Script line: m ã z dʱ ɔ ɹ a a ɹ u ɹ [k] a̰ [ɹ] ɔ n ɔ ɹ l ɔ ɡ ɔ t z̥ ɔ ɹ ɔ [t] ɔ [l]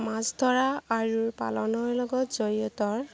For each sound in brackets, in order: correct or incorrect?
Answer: incorrect, incorrect, correct, incorrect

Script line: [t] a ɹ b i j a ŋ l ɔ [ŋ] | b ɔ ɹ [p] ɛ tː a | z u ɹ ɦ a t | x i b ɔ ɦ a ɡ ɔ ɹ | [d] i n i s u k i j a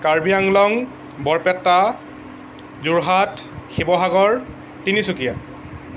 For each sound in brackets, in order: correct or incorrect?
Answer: incorrect, correct, correct, incorrect

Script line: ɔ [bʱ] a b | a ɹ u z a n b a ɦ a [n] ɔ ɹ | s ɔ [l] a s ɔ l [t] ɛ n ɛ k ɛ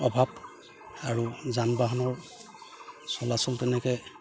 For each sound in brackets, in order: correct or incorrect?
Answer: correct, correct, correct, correct

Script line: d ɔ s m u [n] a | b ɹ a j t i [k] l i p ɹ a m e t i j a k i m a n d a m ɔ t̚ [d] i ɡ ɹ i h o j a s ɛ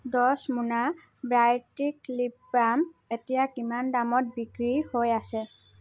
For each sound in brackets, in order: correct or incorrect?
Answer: correct, correct, incorrect

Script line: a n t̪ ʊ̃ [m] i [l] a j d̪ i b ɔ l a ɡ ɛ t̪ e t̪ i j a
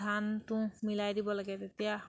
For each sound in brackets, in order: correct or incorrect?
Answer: correct, correct

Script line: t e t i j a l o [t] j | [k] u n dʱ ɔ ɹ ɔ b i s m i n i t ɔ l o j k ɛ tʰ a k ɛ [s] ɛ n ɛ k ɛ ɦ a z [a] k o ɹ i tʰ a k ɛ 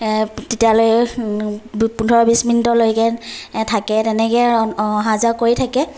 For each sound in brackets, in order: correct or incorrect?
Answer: incorrect, incorrect, incorrect, correct

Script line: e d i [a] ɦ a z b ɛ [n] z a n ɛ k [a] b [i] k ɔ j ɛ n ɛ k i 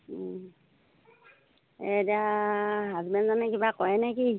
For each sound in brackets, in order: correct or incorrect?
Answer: correct, correct, incorrect, incorrect

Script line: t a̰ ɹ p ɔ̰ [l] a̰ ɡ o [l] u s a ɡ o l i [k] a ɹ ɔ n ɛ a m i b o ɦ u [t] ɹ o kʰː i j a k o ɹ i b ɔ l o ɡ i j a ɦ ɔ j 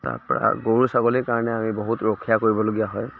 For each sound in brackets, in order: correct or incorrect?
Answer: incorrect, incorrect, correct, correct

